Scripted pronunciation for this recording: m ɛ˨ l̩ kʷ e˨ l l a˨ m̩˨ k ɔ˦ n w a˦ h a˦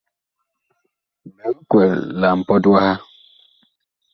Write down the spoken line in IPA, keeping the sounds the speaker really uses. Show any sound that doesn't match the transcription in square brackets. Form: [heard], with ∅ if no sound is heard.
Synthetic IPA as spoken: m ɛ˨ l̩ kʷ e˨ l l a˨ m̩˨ [p] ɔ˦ [d] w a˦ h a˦